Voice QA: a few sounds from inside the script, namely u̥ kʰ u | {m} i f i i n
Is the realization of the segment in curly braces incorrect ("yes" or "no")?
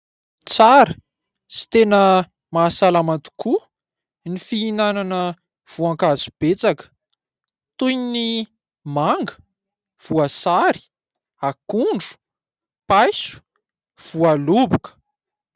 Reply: yes